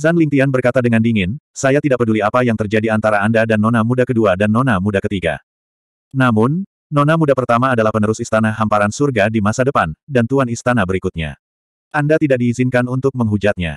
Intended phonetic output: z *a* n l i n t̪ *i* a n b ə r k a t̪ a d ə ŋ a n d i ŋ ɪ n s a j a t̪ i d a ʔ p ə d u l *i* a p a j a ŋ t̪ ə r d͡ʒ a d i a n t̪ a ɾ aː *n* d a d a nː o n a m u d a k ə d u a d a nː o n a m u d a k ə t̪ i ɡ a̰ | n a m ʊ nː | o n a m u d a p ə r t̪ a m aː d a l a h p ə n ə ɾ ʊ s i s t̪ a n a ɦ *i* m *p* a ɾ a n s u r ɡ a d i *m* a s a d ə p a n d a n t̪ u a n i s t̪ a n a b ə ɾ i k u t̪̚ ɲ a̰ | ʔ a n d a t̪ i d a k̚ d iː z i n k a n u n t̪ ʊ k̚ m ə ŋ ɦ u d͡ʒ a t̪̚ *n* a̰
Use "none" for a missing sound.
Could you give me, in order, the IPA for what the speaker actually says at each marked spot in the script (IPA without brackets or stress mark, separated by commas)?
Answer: a, i, i, n, a, p, m, ɲ